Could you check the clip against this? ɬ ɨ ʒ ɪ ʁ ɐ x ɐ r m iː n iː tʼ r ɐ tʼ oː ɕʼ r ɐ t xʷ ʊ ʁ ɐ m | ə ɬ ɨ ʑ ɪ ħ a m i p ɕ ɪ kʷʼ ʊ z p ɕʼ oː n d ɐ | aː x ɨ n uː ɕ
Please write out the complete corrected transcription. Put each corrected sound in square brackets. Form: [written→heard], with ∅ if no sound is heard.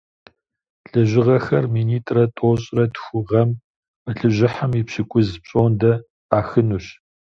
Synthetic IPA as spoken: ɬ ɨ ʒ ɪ ʁ ɐ x ɐ r m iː n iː tʼ r ɐ tʼ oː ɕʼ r ɐ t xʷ ʊ ʁ ɐ m | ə ɬ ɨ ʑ ɪ ħ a m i p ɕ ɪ kʷʼ ʊ z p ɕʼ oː n d ɐ | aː x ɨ n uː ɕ